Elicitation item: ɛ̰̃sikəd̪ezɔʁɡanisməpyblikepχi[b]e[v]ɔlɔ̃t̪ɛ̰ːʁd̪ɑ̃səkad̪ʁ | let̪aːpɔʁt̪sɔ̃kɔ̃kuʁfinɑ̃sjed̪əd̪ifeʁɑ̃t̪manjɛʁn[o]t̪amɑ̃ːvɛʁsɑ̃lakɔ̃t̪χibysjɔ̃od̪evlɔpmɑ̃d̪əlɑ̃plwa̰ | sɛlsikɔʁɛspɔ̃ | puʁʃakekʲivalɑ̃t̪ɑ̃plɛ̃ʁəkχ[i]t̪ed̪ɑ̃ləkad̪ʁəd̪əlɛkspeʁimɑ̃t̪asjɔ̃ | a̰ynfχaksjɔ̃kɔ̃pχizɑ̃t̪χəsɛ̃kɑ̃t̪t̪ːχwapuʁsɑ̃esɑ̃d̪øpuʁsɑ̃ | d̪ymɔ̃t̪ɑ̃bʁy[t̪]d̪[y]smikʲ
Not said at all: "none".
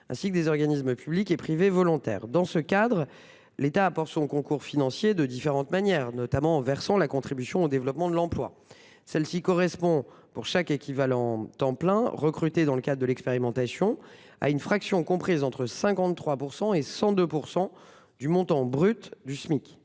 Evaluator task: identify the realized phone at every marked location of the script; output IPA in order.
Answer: v, v, ɔ, y, t̪, y

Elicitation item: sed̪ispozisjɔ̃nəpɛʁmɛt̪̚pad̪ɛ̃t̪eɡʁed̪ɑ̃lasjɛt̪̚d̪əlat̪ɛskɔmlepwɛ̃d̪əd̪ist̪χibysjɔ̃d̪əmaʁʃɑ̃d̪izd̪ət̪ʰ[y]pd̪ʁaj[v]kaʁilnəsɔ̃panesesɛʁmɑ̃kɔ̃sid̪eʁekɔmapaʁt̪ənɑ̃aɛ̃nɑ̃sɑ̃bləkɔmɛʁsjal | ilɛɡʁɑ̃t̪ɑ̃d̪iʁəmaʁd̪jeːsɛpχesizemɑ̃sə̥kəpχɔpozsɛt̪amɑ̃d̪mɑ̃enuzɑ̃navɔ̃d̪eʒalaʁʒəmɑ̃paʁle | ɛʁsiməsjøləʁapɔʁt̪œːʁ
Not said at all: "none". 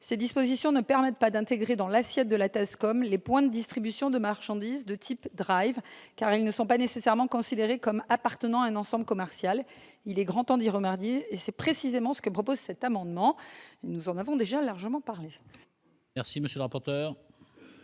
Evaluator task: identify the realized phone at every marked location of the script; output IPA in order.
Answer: i, v

